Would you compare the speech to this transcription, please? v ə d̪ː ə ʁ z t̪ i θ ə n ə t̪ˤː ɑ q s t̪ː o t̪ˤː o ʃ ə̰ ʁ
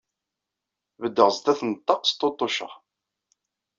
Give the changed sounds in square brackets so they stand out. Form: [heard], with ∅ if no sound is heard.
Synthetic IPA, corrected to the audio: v ə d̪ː ə ʁ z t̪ [æ] θ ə n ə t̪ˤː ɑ q s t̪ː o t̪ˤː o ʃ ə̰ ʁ